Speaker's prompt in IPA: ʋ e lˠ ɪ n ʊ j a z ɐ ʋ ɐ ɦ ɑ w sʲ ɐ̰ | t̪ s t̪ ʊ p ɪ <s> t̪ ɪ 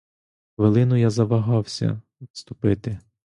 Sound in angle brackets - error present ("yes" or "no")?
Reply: yes